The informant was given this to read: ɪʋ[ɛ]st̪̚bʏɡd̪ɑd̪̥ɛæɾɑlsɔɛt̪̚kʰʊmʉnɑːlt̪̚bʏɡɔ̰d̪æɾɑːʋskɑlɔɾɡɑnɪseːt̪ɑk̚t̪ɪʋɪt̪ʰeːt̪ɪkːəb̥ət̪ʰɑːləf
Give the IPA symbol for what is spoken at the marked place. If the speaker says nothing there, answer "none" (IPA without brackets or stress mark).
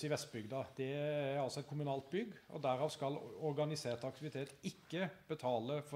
ɛ